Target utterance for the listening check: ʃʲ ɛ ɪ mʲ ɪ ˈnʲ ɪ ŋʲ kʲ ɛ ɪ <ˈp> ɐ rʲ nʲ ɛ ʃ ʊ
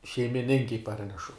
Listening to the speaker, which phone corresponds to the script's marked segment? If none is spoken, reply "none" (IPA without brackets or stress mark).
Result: p